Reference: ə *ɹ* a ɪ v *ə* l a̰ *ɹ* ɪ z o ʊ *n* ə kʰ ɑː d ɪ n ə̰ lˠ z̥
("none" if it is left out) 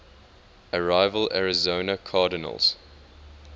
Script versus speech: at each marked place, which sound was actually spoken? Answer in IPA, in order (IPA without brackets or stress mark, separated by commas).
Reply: ɹ, ə, ɹ, n